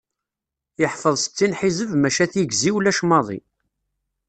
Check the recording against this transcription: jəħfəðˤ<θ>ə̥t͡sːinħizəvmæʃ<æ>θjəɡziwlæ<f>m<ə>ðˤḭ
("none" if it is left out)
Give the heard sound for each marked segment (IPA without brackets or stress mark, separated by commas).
s, æ, ʃ, ɑ